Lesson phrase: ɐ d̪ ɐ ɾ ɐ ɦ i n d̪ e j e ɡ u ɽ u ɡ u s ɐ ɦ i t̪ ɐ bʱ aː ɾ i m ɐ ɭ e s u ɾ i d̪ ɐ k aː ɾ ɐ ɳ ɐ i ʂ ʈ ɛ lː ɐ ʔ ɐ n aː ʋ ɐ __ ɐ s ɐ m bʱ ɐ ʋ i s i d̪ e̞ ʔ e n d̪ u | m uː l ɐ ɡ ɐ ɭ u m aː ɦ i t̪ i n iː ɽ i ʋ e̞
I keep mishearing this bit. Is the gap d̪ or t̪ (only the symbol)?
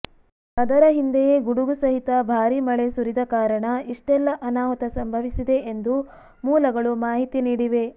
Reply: t̪